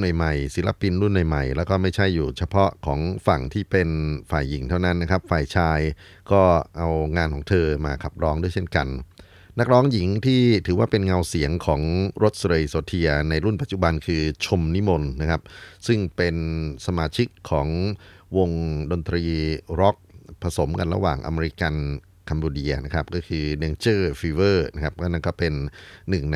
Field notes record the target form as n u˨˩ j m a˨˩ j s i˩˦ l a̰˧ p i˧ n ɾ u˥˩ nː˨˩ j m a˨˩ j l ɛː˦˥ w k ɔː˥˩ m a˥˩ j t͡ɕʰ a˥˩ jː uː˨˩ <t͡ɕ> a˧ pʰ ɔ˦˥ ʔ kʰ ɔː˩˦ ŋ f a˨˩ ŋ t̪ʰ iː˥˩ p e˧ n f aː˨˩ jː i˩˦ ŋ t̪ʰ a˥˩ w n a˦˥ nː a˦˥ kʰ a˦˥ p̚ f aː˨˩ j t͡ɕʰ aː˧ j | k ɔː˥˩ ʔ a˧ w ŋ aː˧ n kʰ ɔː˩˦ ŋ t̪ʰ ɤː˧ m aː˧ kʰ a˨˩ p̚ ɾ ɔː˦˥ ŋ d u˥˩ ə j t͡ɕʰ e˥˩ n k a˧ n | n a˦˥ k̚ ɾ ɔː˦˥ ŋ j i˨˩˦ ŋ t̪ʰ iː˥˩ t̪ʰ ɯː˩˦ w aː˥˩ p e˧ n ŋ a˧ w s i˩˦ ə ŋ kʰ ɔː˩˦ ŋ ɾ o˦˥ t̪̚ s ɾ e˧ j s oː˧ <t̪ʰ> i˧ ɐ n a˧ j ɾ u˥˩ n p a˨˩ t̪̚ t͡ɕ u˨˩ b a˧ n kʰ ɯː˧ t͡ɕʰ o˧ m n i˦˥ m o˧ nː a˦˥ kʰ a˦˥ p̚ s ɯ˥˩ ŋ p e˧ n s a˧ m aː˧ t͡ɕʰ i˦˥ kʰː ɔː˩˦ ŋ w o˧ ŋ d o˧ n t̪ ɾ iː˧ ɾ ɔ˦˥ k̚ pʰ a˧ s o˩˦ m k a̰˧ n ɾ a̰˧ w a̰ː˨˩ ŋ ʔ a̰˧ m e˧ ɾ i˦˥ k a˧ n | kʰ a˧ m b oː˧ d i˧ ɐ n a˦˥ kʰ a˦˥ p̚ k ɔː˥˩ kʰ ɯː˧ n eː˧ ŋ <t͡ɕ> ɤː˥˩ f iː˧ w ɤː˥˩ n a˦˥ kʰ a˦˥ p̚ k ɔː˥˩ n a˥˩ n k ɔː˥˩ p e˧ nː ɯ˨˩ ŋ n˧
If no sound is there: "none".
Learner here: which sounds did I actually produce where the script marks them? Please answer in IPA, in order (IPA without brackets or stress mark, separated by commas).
t͡ɕʰ, t̪ʰ, t͡ɕ